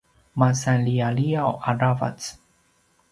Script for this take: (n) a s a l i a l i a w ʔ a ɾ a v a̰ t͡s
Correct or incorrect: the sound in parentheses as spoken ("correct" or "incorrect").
incorrect